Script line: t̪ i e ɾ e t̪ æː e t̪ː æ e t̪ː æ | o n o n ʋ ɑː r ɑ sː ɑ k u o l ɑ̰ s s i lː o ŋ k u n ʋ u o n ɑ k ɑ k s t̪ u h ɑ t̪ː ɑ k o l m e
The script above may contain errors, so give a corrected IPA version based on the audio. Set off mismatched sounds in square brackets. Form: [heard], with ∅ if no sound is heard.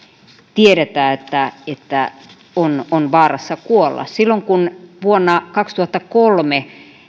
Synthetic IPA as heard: t̪ i e ɾ e t̪ æː e t̪ː æ e t̪ː æ | o n o n ʋ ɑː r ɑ sː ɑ k u o [lː] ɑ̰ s s i lː o ŋ k u n ʋ u o [nː] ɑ k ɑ k s t̪ u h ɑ t̪ː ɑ k o l m e

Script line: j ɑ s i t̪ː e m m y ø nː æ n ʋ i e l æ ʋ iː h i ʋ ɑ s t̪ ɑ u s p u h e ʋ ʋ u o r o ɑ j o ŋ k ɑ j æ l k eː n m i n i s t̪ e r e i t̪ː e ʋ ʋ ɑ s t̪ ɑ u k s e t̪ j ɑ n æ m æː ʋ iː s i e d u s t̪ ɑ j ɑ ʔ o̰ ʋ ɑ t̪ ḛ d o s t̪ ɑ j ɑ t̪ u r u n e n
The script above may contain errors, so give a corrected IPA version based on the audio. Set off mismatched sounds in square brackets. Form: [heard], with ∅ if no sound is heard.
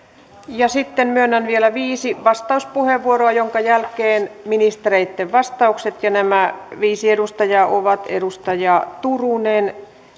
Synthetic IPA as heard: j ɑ s i t̪ː e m m y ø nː æ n ʋ i e l æ ʋ iː [s] i ʋ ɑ s t̪ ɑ u s p u h e ʋ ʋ u o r o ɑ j o ŋ k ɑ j æ l k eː n m i n i s t̪ e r e i t̪ː e ʋ ʋ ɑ s t̪ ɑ u k s e t̪ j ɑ n æ m [æ] ʋ iː s i e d u s t̪ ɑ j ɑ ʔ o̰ ʋ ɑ t̪ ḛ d [u] s t̪ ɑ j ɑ t̪ u r u n e n

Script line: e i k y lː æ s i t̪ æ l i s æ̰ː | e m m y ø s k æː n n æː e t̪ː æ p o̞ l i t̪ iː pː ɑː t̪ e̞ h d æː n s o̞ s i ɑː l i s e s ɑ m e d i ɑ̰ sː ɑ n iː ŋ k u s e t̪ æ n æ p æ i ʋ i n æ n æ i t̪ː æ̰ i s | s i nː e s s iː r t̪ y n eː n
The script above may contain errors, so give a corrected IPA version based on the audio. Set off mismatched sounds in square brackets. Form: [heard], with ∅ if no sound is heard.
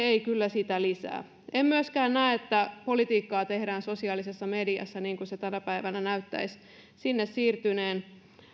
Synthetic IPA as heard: e i k y lː æ s i t̪ æ l i s æ̰ː | e m m y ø s k æː n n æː e t̪ː æ p o̞ l i t̪ iː [kː] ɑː t̪ e̞ h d æː n s o̞ s i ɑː l i s e [sː] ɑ m e d i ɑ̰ sː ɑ n iː ŋ k u s e t̪ æ n æ p æ i ʋ [æ] n æ n æ [y] t̪ː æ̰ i s | s i nː e s s iː r t̪ y n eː n

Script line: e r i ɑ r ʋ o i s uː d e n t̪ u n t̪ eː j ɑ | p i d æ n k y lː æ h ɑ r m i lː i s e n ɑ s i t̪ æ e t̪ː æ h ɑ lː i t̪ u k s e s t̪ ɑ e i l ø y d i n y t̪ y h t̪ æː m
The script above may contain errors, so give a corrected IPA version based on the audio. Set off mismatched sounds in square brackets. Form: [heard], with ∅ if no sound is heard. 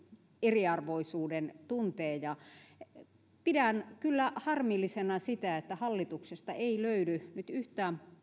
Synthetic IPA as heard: e r i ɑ r ʋ o i s uː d e n t̪ u n t̪ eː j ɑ | p i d æ n k y lː æ h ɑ r m i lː i s e n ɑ s i t̪ æ e t̪ː æ h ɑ lː i t̪ u k s e s t̪ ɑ e i l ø y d [y] n y t̪ y h t̪ æː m

